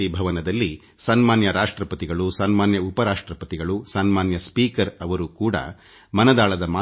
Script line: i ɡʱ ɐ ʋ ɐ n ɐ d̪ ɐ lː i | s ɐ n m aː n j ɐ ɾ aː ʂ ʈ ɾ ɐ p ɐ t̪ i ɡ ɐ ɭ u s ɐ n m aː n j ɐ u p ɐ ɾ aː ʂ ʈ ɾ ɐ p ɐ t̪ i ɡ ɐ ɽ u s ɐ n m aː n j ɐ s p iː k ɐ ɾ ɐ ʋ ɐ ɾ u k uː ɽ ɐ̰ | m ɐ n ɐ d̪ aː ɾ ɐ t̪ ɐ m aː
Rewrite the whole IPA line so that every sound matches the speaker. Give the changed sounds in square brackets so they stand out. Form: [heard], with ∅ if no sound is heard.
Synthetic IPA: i [bʱ] ɐ ʋ ɐ n ɐ d̪ ɐ lː i | s ɐ n m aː n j ɐ ɾ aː ʂ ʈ ɾ ɐ p ɐ t̪ i ɡ ɐ ɭ u s ɐ n m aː n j ɐ u p ɐ ɾ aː ʂ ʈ ɾ ɐ p ɐ t̪ i ɡ ɐ [ɭ] u s ɐ n m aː n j ɐ s p iː k ɐ ɾ ɐ ʋ ɐ ɾ u k uː ɽ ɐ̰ | m ɐ n ɐ d̪ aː [ɭ] ɐ [d̪] ɐ m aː